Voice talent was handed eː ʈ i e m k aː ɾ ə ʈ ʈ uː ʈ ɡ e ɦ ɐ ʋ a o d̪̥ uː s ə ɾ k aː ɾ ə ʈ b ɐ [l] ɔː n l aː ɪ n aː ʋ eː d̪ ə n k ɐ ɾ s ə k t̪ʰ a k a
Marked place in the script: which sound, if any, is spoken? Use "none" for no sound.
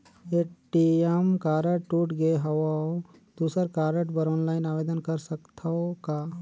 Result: ɾ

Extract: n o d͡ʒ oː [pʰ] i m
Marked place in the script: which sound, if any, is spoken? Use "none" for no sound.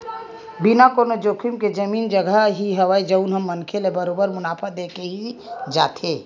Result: kʰ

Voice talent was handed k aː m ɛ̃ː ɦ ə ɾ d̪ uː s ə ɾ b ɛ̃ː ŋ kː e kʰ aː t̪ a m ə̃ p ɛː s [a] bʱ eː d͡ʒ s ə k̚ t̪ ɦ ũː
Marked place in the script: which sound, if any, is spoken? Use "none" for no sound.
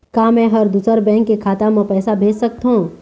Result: a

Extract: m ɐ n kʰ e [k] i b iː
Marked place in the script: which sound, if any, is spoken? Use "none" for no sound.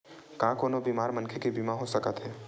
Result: k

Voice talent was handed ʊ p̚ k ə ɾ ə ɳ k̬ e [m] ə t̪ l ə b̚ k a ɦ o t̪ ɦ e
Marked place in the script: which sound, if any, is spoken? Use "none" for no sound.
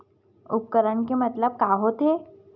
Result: m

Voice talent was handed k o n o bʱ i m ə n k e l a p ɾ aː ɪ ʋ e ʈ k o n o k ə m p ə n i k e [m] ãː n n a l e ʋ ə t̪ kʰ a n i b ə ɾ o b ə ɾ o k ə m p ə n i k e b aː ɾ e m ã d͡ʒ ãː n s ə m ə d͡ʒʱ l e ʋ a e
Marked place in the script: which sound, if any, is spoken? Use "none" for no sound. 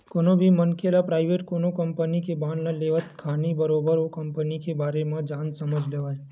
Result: b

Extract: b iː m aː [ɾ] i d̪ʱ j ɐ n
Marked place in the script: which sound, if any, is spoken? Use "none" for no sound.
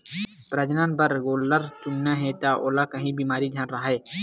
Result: ɾ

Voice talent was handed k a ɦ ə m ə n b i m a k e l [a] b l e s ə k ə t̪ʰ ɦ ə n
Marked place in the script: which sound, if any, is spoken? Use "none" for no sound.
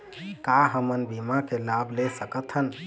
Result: a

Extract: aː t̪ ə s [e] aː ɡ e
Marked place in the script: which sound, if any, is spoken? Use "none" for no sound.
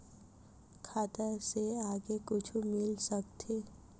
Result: e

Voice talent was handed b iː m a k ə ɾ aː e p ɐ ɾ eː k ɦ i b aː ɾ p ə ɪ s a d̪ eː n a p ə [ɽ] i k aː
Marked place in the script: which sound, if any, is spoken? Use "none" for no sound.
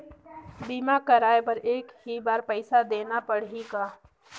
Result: ɽ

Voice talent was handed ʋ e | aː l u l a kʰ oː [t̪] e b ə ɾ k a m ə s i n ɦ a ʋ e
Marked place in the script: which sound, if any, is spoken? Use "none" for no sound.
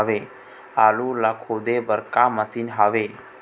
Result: d̪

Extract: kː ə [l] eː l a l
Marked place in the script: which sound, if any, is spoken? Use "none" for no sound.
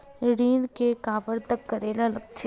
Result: ɾ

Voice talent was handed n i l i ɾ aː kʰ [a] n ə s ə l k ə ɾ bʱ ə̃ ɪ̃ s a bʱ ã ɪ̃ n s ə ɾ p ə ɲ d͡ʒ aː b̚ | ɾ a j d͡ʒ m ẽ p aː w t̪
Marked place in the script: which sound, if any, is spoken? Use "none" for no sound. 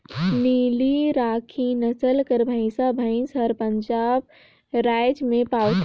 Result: i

